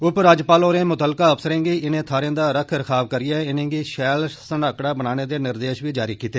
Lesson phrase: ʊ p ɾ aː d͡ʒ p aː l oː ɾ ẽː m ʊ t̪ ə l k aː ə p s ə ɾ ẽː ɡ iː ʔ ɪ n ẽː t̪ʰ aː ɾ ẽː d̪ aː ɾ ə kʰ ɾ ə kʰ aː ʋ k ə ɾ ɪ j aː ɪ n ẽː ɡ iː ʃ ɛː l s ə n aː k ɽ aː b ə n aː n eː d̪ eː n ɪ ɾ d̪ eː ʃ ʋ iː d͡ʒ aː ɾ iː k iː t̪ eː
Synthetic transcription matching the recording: ʊ p ɾ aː d͡ʒ p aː l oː ɾ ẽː m ʊ t̪ ə l k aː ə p s ə ɾ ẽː ɡ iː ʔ ɪ n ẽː t̪ʰ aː ɾ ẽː d̪ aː ɾ ə kʰ ɾ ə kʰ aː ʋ k ə ɾ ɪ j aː ɪ n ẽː ɡ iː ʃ ɛː l s ə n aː k ɽ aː b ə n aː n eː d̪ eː n ɪ ɾ d̪ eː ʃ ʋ iː d͡ʒ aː ɾ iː k iː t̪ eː